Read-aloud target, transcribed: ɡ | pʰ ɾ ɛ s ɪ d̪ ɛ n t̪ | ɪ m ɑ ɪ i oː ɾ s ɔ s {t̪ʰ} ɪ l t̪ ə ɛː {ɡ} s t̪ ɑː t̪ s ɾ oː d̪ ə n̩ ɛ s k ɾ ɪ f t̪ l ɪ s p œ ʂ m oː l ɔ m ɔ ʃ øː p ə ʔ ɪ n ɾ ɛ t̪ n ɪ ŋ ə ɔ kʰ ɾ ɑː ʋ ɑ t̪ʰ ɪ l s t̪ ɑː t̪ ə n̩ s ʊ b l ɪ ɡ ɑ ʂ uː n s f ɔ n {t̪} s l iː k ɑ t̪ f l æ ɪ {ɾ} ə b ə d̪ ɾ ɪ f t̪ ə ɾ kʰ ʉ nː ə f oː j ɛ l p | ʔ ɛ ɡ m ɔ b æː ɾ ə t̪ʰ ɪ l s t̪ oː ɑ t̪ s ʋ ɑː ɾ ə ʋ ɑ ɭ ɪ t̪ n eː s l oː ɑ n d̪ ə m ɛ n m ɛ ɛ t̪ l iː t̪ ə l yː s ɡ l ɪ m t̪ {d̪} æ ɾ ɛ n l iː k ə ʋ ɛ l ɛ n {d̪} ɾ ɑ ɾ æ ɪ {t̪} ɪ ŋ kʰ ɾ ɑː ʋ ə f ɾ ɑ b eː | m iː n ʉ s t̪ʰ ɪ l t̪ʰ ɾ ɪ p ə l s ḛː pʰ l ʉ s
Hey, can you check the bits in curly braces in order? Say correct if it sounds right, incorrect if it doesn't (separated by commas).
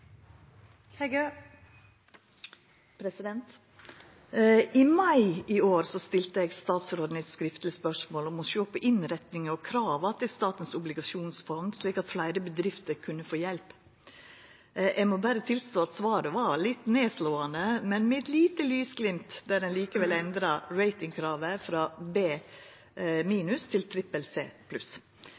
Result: incorrect, correct, incorrect, correct, correct, correct, correct